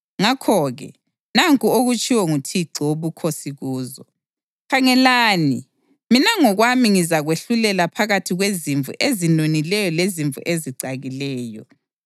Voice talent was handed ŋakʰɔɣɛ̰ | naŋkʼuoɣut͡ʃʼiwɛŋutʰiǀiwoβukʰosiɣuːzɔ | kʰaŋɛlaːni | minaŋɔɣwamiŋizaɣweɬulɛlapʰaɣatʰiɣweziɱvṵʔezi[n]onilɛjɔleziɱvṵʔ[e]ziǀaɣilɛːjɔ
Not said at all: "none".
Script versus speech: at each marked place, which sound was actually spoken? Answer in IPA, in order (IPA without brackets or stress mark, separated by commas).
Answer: n, e